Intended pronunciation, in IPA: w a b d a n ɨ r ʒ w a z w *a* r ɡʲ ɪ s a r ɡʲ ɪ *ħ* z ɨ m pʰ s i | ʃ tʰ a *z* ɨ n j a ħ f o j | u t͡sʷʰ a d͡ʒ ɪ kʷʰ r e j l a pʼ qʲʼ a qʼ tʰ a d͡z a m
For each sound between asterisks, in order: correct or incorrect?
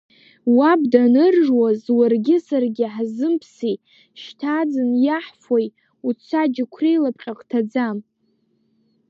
correct, correct, incorrect: d͡z

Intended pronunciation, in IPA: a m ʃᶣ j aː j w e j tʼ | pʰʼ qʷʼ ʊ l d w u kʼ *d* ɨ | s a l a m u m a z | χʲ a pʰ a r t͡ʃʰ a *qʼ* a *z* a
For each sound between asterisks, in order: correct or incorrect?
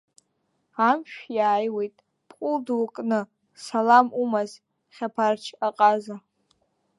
incorrect: n, correct, correct

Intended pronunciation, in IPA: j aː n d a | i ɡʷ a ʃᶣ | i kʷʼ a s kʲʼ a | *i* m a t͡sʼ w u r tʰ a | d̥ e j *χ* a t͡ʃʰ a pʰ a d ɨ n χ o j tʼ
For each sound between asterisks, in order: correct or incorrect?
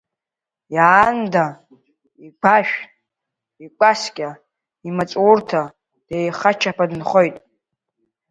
correct, correct

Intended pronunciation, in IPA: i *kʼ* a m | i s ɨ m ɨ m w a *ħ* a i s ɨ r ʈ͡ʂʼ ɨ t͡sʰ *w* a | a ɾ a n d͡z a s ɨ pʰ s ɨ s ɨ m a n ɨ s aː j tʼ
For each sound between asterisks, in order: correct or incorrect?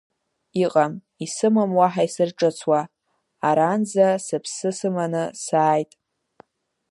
incorrect: qʼ, correct, correct

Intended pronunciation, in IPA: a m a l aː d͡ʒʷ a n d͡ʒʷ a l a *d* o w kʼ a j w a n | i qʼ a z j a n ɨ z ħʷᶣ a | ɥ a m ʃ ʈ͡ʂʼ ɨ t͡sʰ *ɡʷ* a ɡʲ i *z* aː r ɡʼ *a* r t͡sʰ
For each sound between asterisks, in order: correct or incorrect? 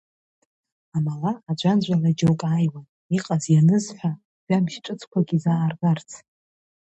incorrect: d͡ʒ, incorrect: kʷ, correct, correct

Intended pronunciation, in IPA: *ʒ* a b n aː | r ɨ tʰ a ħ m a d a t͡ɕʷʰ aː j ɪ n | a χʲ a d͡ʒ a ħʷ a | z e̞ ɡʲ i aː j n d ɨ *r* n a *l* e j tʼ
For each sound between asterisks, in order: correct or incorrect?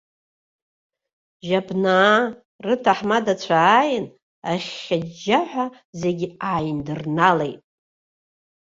correct, correct, correct

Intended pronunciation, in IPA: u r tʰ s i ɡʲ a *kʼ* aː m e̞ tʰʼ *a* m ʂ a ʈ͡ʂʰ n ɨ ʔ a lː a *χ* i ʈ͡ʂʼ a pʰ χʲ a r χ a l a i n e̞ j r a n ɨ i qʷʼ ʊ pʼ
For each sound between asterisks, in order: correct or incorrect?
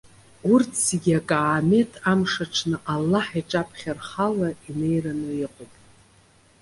correct, correct, incorrect: ħ

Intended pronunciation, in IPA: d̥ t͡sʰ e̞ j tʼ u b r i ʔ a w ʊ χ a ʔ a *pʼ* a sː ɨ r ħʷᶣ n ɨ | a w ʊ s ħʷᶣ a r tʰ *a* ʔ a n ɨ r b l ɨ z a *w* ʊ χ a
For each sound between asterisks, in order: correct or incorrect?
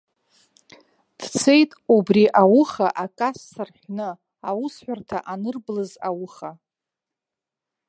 incorrect: kʼ, correct, correct

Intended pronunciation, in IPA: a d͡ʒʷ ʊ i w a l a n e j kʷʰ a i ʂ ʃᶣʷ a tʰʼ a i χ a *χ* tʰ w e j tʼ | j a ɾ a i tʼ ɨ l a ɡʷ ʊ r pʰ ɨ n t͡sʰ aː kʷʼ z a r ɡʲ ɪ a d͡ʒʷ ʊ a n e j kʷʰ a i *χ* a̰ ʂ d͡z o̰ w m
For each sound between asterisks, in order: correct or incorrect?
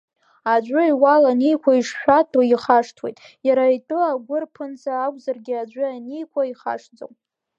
incorrect: ʂ, correct

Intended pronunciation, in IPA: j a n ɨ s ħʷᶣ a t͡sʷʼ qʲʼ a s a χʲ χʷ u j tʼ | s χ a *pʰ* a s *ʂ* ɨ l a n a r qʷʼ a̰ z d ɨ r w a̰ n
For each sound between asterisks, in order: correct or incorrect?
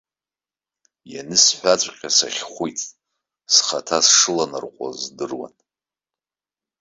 incorrect: tʰ, correct

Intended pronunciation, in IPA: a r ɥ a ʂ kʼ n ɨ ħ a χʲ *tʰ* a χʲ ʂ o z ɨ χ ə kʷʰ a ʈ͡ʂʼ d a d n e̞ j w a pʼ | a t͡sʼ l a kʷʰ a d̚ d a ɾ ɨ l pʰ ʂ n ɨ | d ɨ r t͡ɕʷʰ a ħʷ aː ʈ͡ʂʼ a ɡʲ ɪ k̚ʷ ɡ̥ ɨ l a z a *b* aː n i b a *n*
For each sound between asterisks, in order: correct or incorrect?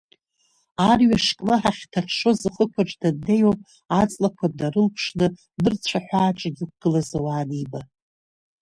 correct, incorrect: w, incorrect: none

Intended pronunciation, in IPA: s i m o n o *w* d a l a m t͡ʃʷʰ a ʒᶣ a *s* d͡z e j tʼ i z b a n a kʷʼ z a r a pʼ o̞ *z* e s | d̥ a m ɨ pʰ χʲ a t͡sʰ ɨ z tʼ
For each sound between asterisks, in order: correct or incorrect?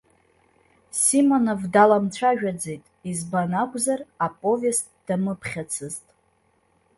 incorrect: v, incorrect: none, incorrect: v

